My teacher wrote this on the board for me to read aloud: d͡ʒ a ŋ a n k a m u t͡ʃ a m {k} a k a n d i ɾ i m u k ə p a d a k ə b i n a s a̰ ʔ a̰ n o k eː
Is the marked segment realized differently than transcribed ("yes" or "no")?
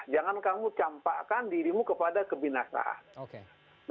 yes